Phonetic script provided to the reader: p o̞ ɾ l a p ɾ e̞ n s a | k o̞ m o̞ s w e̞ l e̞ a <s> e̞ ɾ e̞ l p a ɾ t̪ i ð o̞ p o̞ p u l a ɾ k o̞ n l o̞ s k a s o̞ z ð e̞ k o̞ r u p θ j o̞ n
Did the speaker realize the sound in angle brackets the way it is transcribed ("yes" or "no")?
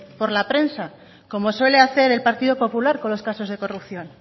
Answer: no